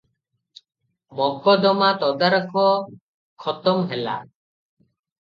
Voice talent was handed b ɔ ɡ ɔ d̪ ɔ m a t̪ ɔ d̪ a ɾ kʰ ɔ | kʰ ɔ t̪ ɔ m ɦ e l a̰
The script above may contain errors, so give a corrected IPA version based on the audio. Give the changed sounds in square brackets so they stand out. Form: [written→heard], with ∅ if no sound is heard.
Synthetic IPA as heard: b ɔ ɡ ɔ d̪ ɔ m a t̪ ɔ d̪ a ɾ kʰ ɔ | kʰ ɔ t̪ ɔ m ɦ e l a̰